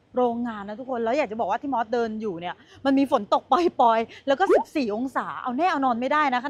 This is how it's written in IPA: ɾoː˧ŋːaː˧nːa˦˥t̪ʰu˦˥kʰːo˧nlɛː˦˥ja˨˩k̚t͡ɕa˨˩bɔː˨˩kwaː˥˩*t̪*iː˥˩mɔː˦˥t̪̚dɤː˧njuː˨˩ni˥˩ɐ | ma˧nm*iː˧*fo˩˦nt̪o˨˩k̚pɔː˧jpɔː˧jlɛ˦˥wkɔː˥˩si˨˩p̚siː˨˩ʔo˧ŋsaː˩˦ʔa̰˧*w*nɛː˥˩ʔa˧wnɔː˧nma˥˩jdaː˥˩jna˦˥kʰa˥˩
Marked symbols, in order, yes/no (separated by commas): yes, yes, yes